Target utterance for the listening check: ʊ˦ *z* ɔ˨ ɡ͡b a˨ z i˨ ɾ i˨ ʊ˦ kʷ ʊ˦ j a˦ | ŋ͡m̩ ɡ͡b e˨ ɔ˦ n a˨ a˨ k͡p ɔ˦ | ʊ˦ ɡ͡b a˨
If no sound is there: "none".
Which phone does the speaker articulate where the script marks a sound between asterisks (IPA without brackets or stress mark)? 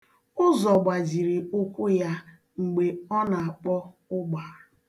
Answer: z